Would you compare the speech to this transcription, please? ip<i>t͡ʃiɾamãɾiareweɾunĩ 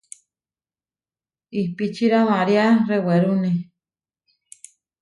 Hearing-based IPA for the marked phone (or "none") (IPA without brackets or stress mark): i